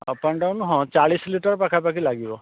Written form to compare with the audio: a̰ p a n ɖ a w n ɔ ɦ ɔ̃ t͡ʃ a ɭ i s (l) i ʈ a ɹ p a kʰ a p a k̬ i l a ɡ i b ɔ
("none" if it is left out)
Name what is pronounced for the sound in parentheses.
l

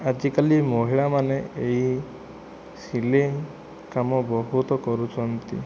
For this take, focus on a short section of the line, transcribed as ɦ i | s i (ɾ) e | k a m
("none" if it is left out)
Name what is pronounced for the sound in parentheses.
l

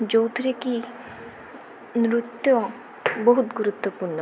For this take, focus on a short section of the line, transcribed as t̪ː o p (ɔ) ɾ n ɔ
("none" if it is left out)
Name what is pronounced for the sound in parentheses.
u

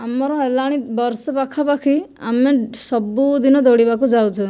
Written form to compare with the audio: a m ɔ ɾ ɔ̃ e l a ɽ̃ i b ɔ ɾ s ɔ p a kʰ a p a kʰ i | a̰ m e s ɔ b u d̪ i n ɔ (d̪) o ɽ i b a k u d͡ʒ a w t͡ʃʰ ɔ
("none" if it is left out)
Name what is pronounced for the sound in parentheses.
d̪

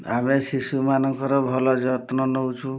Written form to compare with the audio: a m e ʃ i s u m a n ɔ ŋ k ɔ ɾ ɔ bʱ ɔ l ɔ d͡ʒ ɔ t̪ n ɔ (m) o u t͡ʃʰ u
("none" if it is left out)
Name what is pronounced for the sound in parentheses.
n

